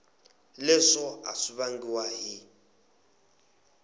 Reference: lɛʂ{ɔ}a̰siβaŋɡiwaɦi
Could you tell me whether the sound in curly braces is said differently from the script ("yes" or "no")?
no